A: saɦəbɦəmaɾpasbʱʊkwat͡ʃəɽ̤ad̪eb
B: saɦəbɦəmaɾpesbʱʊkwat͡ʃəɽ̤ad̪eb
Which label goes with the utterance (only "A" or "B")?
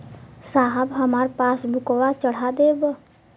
A